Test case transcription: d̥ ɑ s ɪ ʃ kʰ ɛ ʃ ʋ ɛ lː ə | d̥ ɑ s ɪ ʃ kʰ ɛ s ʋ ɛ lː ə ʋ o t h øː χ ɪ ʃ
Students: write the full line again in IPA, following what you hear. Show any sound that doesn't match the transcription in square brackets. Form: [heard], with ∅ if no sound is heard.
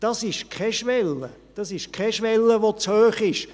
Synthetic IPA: d̥ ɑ s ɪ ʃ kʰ ɛ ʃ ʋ ɛ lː ə | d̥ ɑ s ɪ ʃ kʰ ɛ [ʃ] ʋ ɛ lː ə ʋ o [t͡s] h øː χ ɪ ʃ